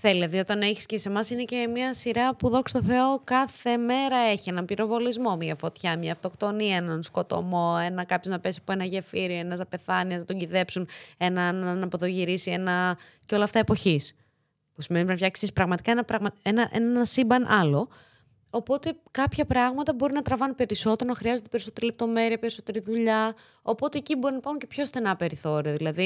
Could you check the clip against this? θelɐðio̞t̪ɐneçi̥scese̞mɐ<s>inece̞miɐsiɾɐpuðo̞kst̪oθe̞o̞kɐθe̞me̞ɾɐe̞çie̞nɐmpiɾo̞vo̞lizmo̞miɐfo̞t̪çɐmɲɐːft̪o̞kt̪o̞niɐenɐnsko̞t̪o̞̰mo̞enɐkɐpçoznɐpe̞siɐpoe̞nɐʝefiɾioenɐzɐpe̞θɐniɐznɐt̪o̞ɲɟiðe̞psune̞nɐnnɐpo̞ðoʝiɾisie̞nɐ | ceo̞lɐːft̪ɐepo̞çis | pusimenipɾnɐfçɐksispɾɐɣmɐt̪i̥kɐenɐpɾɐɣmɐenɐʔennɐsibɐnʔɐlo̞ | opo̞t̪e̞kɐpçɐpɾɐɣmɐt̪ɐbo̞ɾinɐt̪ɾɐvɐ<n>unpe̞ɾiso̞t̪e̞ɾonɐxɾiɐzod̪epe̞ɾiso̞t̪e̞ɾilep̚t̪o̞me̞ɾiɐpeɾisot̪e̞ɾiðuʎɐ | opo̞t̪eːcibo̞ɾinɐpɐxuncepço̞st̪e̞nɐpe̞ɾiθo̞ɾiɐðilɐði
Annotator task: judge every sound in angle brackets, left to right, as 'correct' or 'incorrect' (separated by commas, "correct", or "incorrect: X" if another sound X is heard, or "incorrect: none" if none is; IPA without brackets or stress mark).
correct, correct